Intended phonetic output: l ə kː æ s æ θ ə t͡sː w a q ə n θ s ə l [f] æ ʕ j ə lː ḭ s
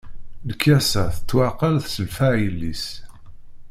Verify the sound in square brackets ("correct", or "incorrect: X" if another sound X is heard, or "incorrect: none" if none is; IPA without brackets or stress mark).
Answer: correct